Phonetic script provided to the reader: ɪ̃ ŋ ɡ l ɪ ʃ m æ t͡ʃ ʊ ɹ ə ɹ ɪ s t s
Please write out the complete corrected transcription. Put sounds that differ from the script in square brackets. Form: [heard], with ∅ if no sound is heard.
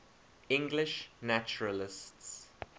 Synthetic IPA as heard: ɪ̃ ŋ ɡ l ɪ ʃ [n] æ t͡ʃ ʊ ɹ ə [l] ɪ s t s